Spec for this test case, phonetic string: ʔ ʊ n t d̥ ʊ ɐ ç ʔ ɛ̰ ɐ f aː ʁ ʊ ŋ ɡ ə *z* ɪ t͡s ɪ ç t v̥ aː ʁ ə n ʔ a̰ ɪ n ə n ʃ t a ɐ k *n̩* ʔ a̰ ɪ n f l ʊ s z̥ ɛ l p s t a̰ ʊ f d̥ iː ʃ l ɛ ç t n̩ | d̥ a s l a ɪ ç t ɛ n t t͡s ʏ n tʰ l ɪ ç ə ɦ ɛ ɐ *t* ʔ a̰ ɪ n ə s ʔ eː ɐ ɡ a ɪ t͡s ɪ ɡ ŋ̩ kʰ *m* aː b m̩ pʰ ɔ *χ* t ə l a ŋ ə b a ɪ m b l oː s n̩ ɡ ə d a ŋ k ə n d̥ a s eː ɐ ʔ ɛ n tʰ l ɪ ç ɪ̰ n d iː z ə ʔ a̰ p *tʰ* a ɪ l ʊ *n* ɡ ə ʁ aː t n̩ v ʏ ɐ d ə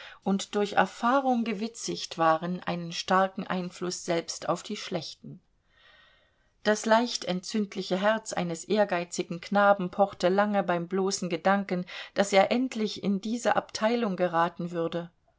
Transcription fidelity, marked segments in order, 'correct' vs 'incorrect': incorrect, incorrect, incorrect, incorrect, correct, correct, incorrect

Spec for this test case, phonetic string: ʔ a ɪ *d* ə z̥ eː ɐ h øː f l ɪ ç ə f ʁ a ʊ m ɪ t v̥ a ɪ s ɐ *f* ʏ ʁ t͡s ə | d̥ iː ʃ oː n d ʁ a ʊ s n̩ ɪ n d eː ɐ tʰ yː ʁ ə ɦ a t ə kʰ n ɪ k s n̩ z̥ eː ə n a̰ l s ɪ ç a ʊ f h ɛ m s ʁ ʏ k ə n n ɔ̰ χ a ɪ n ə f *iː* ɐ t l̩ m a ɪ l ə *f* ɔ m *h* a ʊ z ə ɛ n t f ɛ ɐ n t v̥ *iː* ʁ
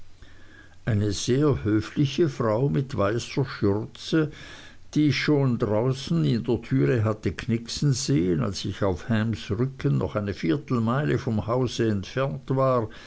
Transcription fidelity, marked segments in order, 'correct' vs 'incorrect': incorrect, incorrect, correct, correct, correct, incorrect

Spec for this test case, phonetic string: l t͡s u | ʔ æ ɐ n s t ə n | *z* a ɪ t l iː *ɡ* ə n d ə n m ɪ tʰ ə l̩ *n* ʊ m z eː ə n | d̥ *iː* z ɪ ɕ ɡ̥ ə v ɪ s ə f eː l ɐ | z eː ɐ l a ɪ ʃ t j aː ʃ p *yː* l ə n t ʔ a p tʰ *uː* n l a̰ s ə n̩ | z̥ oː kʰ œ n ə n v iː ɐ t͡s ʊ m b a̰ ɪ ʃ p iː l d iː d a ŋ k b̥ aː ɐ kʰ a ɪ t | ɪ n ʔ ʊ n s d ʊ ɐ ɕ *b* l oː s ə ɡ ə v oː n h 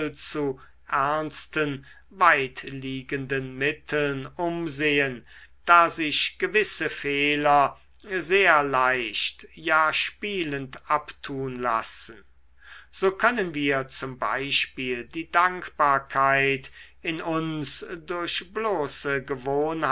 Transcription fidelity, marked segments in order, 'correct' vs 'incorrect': incorrect, correct, correct, incorrect, incorrect, correct, correct

